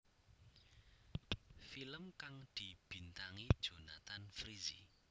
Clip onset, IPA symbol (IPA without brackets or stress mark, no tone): f